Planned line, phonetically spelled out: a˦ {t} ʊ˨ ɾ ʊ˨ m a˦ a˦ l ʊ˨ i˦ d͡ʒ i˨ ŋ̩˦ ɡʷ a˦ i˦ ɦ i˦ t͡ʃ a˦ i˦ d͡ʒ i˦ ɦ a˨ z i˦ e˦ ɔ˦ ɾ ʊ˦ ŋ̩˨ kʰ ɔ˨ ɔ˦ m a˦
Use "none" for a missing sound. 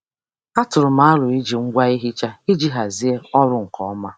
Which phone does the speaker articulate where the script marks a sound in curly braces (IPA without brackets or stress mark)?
t